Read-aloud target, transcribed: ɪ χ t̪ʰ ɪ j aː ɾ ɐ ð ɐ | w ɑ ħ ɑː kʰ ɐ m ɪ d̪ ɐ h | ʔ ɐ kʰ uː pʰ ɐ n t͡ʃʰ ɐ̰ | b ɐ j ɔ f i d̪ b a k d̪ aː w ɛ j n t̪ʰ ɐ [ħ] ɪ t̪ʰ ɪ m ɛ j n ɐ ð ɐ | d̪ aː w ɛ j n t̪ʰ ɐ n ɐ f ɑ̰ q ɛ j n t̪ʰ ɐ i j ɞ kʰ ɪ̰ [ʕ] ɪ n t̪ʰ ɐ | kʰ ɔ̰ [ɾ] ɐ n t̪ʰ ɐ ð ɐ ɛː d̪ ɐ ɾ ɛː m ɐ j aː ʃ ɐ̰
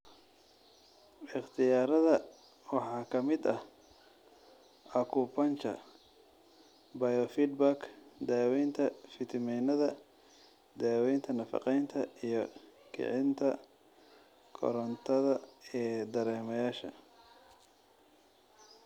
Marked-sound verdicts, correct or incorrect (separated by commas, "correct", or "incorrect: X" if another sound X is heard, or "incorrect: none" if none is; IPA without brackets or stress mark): incorrect: f, correct, correct